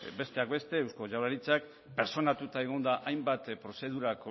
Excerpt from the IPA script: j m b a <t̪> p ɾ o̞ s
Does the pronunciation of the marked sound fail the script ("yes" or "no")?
no